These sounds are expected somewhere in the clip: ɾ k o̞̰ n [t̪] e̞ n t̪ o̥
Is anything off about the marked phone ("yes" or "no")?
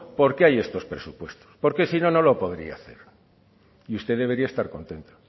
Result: no